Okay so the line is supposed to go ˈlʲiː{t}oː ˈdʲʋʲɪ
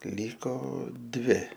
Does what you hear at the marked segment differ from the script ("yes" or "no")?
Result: yes